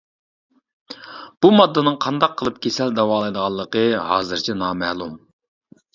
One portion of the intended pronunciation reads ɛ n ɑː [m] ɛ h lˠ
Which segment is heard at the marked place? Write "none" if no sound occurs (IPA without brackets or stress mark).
m